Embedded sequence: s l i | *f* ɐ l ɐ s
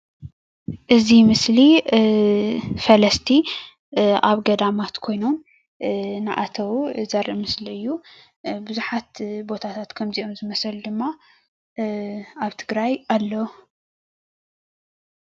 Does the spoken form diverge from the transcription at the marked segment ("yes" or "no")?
no